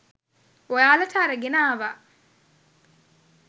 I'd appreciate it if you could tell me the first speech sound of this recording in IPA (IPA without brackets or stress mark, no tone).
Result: w